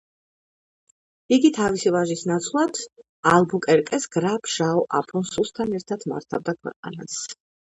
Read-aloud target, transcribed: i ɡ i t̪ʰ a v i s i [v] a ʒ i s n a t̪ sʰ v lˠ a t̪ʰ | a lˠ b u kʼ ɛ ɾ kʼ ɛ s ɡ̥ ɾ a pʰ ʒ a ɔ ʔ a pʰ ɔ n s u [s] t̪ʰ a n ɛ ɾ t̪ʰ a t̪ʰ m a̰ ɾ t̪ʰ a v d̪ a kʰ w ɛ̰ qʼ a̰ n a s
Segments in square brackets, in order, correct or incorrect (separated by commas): correct, correct